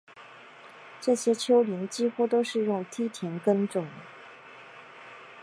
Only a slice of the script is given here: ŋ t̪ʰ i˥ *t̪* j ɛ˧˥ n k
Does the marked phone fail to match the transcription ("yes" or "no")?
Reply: yes